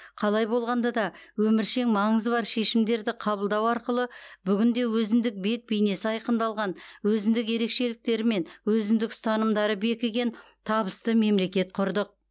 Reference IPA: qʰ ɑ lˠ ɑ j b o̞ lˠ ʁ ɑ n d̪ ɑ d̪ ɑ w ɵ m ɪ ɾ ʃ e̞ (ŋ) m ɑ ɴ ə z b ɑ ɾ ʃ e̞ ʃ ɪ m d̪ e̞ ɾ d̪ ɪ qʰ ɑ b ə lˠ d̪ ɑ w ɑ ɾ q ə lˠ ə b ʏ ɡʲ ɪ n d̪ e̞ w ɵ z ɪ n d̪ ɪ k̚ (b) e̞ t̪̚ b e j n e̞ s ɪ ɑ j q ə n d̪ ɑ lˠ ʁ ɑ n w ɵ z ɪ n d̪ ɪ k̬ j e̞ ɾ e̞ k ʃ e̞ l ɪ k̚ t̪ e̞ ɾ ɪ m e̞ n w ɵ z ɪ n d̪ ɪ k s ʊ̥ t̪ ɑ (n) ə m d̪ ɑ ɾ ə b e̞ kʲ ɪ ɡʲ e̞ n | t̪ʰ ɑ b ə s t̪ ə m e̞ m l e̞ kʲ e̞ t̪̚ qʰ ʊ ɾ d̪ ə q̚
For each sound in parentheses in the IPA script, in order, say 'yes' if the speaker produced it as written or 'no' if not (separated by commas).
yes, yes, yes